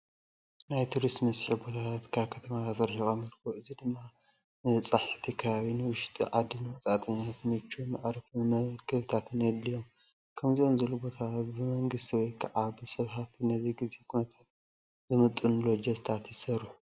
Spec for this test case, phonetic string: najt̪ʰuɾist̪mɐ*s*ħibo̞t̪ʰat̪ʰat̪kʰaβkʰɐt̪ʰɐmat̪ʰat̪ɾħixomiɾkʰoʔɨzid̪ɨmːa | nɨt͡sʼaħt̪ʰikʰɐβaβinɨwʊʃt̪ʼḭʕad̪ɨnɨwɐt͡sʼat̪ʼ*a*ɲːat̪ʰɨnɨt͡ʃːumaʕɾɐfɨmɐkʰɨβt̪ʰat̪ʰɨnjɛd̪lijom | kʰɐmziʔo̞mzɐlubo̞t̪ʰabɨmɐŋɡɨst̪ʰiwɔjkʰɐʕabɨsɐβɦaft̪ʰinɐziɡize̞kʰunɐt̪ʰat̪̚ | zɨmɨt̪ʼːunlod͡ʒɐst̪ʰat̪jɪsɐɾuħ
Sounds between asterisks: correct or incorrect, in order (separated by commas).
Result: correct, incorrect